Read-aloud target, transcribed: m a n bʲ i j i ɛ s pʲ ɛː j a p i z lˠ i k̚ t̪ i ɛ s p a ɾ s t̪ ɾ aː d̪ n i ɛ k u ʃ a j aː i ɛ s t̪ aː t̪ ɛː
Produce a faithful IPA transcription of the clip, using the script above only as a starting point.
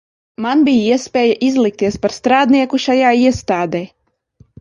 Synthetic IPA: m a n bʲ i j i ɛ s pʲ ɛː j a ʔ i z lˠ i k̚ t̪ i ɛ s p a ɾ s t̪ ɾ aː d̪ n i ɛ k u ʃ a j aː i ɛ s t̪ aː d̪ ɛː